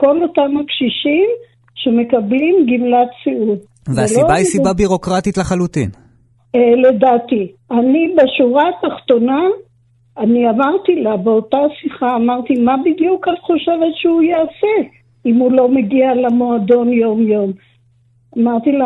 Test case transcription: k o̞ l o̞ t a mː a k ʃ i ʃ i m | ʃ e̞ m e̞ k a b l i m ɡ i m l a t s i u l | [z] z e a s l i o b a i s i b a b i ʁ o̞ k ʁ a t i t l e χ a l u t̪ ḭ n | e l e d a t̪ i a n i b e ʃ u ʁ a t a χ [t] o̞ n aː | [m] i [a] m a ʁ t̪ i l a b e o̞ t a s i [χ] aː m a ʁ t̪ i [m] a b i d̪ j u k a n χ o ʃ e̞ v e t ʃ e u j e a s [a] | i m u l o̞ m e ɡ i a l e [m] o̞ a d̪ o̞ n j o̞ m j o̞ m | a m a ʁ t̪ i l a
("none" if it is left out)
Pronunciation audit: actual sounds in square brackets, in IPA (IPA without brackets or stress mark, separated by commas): v, t, n, a, χ, m, e, m